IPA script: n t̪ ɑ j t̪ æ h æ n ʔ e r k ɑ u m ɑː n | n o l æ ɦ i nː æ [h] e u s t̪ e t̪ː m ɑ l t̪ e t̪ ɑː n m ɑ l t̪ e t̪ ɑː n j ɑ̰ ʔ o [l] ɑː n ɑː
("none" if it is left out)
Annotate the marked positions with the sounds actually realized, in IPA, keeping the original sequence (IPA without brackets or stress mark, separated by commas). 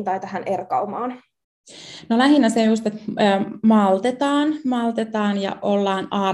s, lː